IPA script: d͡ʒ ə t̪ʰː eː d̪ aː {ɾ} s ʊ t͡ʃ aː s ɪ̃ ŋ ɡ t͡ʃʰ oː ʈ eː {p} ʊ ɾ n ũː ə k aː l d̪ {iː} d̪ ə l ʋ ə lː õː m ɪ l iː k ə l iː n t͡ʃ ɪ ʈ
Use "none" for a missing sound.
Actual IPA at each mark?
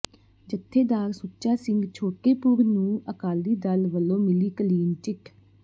ɾ, p, iː

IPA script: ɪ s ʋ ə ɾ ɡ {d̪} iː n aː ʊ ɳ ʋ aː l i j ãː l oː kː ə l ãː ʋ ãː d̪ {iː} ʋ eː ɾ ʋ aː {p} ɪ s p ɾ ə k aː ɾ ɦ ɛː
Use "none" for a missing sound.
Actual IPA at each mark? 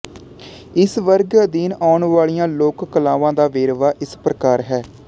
d̪, aː, ʔ

